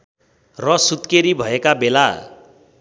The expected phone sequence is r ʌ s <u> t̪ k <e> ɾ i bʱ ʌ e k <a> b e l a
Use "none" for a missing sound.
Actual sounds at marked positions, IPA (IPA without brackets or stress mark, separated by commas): u, e, a